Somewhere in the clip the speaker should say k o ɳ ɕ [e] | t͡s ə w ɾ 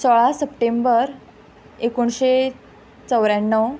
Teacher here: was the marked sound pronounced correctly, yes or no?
yes